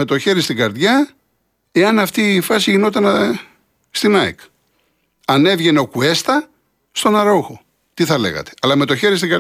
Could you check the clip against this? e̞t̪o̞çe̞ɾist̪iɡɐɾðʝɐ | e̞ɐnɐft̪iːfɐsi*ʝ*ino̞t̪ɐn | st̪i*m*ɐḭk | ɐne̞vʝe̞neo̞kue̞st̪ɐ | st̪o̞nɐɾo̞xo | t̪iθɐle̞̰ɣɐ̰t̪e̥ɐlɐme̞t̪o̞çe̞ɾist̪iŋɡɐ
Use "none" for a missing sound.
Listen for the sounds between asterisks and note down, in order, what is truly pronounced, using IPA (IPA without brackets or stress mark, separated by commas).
ʝ, n